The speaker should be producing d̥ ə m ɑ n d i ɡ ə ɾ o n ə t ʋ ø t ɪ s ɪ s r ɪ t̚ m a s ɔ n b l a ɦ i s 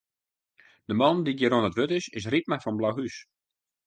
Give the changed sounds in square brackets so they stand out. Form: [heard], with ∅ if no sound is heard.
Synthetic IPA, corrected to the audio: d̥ ə m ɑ n d i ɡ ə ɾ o n ə t ʋ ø t ɪ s ɪ s r [i] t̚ m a [f] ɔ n b l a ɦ [y] s